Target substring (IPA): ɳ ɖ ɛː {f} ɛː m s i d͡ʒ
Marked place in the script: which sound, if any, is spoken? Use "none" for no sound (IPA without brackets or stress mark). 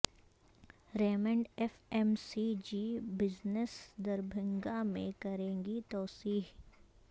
f